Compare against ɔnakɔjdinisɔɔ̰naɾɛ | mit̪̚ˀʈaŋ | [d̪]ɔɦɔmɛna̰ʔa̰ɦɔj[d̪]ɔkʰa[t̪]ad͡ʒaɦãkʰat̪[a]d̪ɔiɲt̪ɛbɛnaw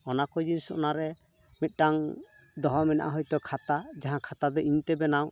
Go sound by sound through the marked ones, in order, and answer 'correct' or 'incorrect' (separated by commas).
correct, incorrect, correct, correct